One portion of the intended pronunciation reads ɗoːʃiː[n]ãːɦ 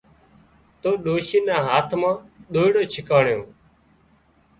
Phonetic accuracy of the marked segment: correct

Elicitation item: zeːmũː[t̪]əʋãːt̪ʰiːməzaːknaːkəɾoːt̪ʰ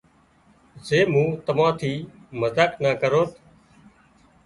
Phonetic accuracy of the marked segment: correct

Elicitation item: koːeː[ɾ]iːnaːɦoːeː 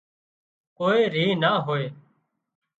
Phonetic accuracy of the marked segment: correct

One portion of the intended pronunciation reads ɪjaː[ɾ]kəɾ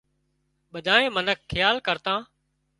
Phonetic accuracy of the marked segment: incorrect: l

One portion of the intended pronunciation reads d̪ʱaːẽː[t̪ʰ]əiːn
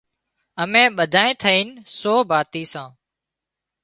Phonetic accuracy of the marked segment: correct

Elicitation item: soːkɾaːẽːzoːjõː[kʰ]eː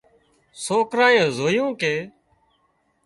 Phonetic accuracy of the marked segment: incorrect: k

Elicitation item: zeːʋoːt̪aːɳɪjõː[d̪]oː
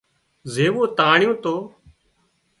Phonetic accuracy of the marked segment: incorrect: t̪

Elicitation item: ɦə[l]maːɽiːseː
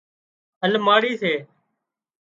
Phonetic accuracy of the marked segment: correct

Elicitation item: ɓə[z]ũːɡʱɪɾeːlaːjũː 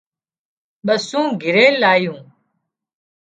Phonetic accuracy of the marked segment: incorrect: s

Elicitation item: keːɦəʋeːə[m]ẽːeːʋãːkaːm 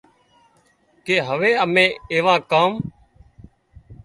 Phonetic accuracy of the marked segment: correct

